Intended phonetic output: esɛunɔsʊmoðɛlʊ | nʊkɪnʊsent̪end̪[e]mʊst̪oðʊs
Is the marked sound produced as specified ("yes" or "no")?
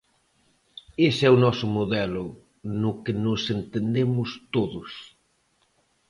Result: yes